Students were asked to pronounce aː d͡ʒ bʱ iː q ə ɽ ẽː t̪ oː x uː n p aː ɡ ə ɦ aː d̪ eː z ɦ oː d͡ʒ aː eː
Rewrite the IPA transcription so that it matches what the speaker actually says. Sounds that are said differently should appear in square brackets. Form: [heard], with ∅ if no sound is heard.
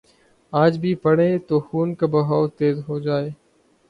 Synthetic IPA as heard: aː d͡ʒ bʱ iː [p] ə ɽ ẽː t̪ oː x uː n [k] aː [b] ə ɦ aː [t̪] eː z ɦ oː d͡ʒ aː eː